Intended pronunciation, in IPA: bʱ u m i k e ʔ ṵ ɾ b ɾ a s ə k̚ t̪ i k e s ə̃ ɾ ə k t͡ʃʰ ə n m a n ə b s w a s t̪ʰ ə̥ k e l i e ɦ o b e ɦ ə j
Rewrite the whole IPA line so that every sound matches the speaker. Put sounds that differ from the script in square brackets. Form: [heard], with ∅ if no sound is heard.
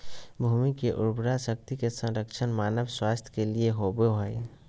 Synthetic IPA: bʱ u m i k e ʔ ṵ ɾ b ɾ a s ə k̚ t̪ i k e s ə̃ ɾ ə k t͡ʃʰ ə n m a n ə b s w a s t̪ʰ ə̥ k e l i e ɦ o b e ɦ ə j